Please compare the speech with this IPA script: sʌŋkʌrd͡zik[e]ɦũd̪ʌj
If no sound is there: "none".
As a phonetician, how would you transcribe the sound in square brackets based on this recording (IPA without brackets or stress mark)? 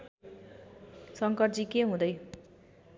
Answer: e